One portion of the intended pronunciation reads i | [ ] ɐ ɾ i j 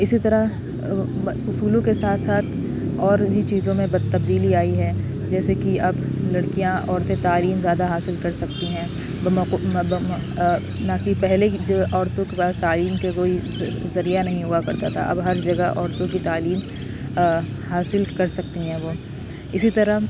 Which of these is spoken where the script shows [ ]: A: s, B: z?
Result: B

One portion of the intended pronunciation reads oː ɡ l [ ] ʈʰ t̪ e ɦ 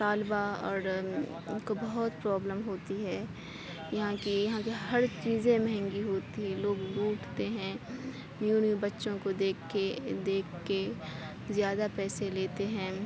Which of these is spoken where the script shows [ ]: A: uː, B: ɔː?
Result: A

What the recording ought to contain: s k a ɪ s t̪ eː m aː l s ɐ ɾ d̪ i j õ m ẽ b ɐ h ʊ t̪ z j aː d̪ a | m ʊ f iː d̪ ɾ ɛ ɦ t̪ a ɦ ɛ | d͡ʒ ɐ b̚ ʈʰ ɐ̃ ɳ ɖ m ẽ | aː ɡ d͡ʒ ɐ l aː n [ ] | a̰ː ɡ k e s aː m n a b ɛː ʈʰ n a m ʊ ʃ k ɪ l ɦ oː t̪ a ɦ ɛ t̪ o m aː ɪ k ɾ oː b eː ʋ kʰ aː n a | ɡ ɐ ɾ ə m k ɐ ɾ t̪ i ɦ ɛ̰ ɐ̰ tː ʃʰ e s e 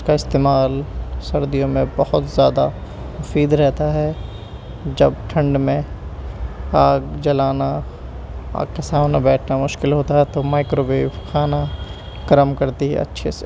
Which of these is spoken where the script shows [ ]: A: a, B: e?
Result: A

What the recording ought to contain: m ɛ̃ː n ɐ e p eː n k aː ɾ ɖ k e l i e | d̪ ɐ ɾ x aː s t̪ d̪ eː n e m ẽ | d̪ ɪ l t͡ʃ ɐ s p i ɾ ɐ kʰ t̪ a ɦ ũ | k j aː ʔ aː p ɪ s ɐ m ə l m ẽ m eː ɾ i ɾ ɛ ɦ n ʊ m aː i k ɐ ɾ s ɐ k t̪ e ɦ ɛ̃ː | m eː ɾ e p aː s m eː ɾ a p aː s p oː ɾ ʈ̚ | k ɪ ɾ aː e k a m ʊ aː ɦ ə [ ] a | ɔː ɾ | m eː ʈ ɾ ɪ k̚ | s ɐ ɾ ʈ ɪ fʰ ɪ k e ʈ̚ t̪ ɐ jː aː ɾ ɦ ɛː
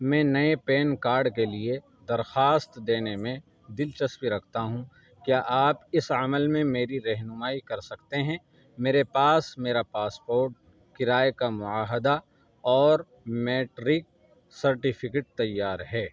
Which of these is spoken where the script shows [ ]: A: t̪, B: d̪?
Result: B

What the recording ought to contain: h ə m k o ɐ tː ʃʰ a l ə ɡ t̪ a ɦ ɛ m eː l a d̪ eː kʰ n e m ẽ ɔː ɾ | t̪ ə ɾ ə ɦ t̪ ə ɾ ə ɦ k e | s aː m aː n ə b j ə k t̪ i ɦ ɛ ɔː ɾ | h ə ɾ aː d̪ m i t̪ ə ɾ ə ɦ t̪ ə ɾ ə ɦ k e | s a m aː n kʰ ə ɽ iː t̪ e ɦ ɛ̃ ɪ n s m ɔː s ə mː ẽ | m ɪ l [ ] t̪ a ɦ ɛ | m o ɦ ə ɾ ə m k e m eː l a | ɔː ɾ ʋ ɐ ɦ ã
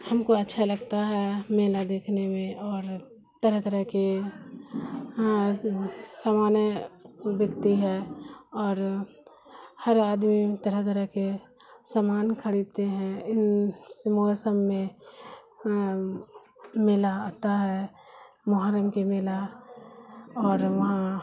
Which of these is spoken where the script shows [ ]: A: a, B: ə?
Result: A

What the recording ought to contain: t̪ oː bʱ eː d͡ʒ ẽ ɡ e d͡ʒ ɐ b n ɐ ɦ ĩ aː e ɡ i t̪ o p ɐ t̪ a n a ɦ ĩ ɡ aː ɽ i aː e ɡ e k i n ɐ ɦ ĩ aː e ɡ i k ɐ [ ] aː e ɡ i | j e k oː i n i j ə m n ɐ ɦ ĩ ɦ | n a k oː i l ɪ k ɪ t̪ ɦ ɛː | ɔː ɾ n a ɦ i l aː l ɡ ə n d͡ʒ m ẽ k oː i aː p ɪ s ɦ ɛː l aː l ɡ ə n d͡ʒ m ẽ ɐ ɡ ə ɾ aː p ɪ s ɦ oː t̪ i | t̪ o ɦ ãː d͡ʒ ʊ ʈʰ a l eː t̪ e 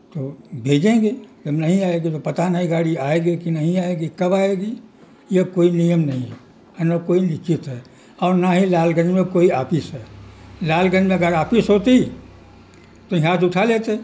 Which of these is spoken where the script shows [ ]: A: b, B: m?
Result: A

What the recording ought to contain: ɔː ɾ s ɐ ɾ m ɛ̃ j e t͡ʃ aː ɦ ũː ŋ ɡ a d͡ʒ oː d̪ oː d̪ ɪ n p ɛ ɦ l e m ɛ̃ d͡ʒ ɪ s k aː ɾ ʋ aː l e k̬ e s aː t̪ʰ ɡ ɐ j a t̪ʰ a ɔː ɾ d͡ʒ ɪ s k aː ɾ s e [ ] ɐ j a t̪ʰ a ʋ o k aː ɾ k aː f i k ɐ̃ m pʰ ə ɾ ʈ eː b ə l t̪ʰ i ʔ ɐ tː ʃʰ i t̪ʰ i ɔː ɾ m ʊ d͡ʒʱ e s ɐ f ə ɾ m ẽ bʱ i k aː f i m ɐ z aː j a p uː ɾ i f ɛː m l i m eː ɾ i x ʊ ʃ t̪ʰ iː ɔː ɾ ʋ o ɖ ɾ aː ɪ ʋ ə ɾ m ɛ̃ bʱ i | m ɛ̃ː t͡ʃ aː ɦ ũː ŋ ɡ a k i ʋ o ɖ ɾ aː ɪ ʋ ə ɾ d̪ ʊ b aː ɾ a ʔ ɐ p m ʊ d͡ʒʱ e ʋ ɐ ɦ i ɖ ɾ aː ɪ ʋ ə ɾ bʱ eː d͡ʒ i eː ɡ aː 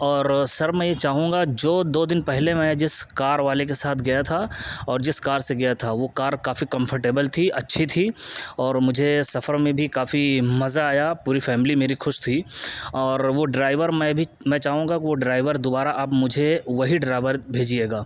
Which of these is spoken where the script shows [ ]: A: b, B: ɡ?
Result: B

